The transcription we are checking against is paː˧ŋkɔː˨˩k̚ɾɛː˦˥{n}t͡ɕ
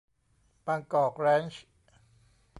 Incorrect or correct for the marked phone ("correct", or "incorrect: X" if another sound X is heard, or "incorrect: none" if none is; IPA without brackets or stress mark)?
correct